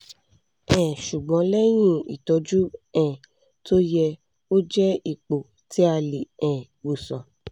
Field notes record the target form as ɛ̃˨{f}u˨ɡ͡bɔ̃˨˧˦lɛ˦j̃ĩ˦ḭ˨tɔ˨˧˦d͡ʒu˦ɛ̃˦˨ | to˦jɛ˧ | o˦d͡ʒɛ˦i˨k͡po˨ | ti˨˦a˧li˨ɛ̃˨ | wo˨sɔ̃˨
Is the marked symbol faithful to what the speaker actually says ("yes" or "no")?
no